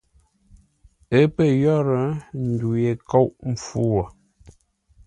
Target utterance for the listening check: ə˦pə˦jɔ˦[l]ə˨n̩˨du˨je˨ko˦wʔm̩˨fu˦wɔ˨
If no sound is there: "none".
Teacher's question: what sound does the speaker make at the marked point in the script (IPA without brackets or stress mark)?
ɾ